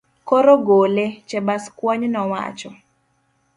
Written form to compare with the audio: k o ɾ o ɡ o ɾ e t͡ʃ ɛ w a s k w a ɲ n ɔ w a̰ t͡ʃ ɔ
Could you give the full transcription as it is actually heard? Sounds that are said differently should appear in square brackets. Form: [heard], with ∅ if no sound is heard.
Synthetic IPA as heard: k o ɾ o ɡ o [l] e t͡ʃ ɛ [b] a s k w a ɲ n ɔ w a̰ t͡ʃ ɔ